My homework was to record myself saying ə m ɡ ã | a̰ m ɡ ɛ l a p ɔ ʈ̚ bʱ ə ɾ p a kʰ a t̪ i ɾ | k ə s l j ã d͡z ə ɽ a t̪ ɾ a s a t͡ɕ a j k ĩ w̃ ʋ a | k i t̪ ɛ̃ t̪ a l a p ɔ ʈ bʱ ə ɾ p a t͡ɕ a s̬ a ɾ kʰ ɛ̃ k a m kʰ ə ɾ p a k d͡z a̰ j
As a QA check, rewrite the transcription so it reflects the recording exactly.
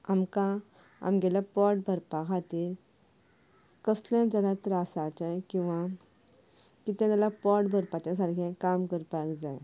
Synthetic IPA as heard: a m k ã | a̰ m ɡ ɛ l a p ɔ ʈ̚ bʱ ə ɾ p a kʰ a t̪ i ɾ | k ə s l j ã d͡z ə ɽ a t̪ ɾ a s a t͡ɕ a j k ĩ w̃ ʋ a | k i t̪ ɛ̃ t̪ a l a p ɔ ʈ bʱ ə ɾ p a t͡ɕ a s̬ a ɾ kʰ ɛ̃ k a m k ə ɾ p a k d͡z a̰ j